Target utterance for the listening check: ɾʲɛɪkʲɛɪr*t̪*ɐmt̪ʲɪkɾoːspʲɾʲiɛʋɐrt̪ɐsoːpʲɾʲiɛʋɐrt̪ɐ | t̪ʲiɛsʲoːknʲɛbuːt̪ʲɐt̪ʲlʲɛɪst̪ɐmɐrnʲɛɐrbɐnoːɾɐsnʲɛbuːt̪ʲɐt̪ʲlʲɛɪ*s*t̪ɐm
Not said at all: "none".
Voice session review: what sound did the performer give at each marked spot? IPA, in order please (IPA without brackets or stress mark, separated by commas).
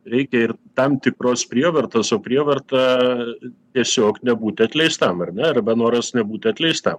t̪, s